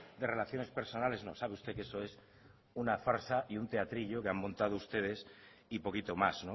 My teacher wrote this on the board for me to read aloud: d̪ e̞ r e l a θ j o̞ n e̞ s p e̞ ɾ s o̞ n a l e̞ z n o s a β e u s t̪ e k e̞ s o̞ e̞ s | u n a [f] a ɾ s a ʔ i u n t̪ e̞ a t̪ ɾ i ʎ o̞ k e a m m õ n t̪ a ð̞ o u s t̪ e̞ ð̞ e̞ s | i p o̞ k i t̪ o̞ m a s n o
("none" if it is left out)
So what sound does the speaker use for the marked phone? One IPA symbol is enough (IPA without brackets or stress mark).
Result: f